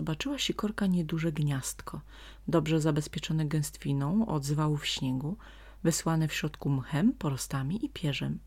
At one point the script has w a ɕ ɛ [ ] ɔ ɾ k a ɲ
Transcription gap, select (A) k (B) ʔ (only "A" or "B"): A